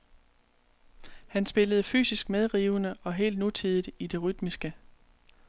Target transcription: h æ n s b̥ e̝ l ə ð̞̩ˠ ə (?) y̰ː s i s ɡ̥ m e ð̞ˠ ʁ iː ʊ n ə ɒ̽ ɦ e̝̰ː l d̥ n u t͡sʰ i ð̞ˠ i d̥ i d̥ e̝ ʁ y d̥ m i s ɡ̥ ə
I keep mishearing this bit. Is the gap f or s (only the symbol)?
f